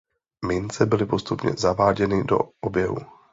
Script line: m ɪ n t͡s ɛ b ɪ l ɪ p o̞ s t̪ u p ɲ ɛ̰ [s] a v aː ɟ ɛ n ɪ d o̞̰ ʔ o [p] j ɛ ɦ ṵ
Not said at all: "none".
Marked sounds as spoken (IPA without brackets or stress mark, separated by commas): z, b